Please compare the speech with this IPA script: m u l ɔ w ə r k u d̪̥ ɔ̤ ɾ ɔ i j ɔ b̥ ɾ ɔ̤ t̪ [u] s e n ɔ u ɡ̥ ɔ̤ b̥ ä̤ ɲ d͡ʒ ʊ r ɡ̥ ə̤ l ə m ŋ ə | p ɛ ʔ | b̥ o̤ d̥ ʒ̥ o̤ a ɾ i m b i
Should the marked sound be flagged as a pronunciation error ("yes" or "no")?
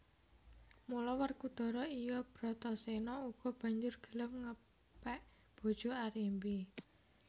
yes